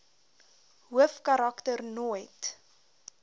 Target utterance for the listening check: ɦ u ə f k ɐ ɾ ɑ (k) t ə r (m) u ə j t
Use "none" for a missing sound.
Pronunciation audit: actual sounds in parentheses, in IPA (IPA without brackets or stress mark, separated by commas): k, n